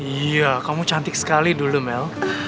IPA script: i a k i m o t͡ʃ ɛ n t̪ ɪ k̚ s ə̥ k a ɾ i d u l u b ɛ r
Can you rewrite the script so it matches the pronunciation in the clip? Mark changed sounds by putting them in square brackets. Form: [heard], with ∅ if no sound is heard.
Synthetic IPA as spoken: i a k [a] m [u] t͡ʃ [a] n t̪ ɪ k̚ s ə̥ k a [l] i d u l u [m] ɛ [l]